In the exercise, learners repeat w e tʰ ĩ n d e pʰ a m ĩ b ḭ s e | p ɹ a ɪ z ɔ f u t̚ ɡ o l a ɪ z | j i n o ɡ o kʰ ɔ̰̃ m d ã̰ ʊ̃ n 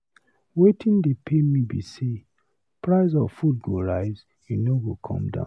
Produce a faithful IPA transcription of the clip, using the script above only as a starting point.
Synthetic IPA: w e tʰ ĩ n d e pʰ e m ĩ b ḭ s e | p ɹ a ɪ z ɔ f u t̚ ɡ o ɹ a ɪ z | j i n o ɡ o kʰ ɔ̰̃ m d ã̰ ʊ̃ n